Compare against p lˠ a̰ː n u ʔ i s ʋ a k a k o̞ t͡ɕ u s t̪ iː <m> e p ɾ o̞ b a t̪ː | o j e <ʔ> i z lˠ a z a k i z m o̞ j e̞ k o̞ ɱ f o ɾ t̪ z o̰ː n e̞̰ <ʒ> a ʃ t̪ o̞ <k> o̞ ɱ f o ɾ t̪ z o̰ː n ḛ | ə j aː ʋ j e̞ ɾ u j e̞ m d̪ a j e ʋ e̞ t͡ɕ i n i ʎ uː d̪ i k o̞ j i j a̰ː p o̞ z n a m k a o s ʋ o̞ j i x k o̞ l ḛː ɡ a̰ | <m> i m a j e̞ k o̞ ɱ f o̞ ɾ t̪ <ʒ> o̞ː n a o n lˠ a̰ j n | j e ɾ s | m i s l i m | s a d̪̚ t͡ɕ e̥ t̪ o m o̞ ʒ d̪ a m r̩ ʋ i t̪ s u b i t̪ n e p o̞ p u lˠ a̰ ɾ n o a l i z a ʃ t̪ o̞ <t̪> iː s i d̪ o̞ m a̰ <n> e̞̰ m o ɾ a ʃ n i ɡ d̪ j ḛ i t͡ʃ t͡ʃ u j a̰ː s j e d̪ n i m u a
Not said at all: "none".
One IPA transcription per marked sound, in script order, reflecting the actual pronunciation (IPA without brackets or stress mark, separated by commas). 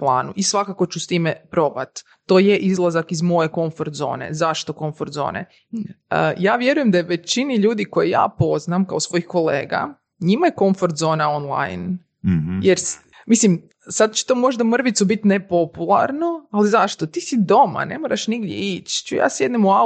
m, ʔ, z, k, ɲ, z, t̪, n